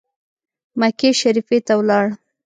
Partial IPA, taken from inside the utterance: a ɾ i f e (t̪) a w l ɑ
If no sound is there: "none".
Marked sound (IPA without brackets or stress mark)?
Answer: t̪